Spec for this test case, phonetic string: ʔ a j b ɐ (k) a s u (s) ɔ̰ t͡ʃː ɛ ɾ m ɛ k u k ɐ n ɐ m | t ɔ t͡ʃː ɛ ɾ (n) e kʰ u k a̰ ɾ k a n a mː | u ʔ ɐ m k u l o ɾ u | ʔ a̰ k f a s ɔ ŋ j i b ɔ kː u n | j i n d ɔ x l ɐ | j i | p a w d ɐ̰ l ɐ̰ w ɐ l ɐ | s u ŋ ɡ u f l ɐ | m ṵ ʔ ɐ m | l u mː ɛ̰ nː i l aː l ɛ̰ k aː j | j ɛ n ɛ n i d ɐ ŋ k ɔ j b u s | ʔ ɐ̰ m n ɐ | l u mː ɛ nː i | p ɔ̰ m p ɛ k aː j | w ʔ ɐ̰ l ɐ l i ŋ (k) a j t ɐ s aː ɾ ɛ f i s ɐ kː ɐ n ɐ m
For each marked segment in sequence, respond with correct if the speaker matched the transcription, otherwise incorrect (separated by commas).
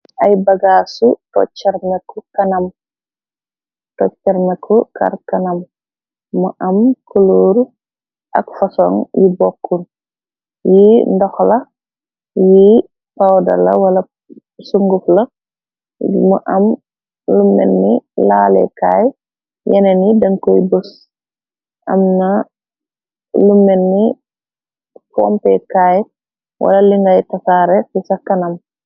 incorrect, incorrect, incorrect, incorrect